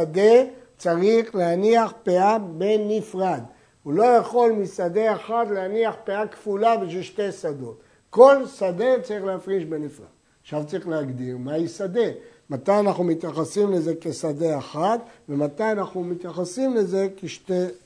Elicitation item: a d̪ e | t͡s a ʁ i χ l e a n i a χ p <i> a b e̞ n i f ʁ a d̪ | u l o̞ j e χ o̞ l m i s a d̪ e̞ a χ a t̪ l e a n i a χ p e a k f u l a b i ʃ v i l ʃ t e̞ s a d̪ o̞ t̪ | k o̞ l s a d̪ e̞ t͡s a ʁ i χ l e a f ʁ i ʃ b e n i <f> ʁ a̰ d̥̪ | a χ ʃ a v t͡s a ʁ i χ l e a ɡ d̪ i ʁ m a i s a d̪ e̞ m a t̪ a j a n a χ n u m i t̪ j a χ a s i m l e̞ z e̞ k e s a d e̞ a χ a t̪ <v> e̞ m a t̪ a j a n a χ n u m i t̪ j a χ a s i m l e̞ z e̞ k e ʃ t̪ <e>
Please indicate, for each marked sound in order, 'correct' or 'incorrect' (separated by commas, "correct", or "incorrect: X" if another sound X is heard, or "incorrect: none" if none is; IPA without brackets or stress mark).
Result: incorrect: e, correct, correct, correct